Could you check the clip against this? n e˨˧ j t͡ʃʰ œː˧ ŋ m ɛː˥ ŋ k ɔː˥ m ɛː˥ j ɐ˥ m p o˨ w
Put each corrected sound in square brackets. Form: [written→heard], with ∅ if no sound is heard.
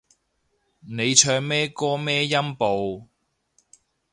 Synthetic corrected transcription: n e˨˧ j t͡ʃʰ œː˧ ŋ m ɛː˥ [ŋ→∅] k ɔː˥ m ɛː˥ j ɐ˥ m p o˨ w